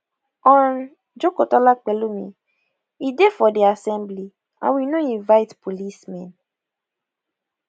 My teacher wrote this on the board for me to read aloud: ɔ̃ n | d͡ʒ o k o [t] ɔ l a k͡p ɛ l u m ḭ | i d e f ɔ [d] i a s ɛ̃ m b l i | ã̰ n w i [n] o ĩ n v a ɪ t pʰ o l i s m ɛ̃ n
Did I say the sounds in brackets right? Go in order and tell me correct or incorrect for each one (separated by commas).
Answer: correct, correct, correct